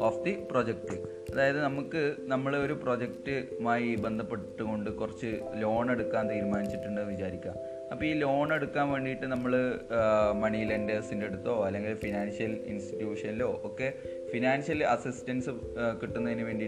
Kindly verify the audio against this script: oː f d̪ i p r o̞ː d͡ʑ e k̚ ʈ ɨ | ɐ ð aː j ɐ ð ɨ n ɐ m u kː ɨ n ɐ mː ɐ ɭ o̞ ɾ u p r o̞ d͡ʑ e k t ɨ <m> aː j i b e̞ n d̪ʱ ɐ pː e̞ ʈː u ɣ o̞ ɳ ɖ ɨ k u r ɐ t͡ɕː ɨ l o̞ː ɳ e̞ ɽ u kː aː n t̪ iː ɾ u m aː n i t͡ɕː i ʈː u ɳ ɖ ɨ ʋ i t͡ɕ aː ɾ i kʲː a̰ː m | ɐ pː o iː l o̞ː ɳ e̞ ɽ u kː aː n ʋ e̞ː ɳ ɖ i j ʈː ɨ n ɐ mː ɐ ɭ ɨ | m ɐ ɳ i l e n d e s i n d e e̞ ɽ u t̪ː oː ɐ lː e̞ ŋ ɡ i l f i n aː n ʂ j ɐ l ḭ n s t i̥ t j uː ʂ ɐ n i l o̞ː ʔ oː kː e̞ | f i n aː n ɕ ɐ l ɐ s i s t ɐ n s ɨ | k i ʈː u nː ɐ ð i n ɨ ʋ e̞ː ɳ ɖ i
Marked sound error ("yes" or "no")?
no